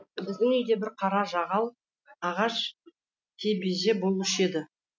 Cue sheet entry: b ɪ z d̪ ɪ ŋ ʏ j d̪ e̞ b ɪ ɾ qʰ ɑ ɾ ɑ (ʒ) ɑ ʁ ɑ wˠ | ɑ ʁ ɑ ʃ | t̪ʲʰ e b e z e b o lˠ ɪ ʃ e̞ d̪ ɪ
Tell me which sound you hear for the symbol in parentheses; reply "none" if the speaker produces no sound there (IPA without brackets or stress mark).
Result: ʒ